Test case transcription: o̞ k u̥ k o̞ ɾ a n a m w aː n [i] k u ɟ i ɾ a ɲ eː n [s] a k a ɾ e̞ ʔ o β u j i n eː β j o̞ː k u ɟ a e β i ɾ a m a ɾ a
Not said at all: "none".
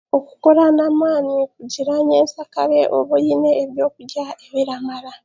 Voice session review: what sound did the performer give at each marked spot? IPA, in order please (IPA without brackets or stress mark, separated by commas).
i, s